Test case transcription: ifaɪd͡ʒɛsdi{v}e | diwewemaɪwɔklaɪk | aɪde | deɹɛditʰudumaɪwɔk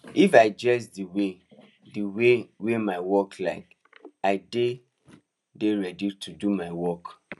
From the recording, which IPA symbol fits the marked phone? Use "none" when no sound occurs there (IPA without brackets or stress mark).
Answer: w